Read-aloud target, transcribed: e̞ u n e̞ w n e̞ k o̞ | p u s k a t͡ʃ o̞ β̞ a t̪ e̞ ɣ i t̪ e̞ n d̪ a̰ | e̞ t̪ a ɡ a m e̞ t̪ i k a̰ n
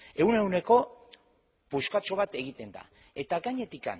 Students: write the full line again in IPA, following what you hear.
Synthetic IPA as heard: e̞ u n e̞ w n e̞ k o̞ | p u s k a t͡ʃ o̞ β̞ a t̪ e̞ ɣ i t̪ e̞ n d̪ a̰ | e̞ t̪ a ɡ a ɲ e̞ t̪ i k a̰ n